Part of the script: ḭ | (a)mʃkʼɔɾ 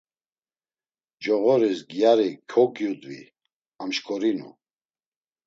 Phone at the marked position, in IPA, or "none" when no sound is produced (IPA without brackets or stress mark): a